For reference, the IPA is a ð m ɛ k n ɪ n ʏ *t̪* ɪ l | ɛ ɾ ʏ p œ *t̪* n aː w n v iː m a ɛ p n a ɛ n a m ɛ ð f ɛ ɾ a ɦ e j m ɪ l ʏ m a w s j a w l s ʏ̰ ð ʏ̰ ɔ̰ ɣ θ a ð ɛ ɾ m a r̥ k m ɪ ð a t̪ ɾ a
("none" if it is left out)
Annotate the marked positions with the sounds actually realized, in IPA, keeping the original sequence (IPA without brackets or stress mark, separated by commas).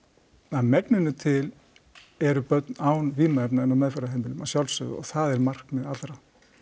t̪ʰ, t̪